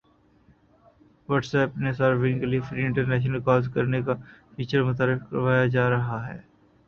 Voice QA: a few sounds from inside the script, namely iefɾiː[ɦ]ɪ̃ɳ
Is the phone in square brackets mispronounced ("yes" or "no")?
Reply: yes